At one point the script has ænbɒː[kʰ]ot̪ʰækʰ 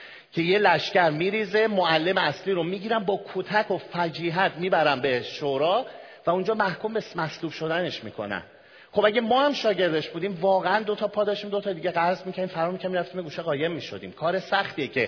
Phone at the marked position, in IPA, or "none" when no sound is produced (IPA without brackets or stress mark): kʰ